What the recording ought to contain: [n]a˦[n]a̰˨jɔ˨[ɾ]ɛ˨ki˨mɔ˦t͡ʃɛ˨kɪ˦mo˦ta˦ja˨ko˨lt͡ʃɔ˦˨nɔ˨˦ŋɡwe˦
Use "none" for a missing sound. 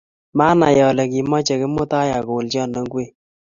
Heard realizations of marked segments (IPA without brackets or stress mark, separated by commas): m, n, l